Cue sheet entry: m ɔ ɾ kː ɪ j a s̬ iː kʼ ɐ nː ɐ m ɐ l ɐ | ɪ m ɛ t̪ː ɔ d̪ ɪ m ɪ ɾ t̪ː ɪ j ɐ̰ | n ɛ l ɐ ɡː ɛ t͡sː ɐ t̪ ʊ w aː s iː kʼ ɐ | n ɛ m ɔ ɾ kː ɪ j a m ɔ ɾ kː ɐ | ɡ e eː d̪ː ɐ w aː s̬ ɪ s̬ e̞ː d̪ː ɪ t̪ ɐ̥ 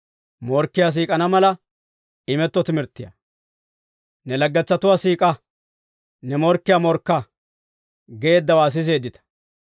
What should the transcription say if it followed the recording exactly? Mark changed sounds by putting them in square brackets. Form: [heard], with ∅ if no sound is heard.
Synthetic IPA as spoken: m ɔ ɾ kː ɪ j a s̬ iː kʼ ɐ [n] ɐ m ɐ l ɐ | ɪ m ɛ t̪ː ɔ [t̪] ɪ m ɪ ɾ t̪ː ɪ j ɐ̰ | n ɛ l ɐ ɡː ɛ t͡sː ɐ t̪ ʊ w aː s iː kʼ ɐ | n ɛ m ɔ ɾ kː ɪ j a m ɔ ɾ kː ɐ | ɡ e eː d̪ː ɐ w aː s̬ ɪ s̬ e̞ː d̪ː ɪ t̪ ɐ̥